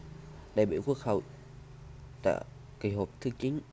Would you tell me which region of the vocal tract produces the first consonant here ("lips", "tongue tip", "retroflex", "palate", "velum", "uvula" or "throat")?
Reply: tongue tip